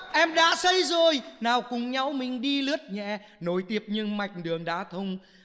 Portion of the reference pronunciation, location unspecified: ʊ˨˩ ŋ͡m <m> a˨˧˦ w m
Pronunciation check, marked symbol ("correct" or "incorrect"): incorrect